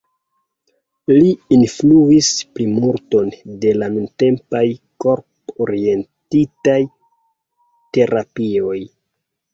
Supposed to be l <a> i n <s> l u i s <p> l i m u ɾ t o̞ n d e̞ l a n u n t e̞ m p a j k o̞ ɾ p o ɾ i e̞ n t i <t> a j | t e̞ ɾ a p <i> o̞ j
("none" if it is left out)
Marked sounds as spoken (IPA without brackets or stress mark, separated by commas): i, f, p, t, i